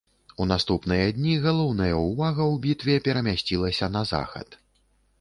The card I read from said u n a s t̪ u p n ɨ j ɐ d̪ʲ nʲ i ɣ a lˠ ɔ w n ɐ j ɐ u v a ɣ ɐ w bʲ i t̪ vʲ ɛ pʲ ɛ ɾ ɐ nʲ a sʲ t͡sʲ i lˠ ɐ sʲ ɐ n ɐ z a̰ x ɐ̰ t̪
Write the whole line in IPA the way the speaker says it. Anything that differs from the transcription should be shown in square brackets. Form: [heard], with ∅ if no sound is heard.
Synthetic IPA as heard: u n a s t̪ u p n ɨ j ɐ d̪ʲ nʲ i ɣ a lˠ ɔ w n ɐ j ɐ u v a ɣ ɐ w bʲ i t̪ vʲ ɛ pʲ ɛ ɾ ɐ [mʲ] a sʲ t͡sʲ i lˠ ɐ sʲ ɐ n ɐ z a̰ x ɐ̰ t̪